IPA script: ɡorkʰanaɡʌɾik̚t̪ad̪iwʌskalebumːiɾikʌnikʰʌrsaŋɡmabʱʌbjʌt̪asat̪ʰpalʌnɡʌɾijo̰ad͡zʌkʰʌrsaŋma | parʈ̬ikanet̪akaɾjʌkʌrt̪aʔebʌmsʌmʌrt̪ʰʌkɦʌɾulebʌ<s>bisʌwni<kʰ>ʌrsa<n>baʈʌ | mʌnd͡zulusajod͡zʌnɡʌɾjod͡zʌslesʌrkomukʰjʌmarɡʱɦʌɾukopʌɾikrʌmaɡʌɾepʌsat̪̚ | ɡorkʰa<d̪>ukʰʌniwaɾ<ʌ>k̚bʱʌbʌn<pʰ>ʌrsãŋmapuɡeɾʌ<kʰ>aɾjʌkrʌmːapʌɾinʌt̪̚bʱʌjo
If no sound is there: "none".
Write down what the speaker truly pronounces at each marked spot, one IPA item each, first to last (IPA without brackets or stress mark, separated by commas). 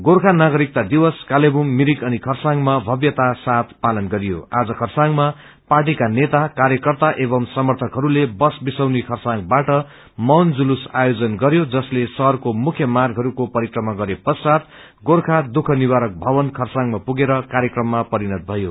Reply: s, kʰ, ŋ, d̪, ʌ, kʰ, k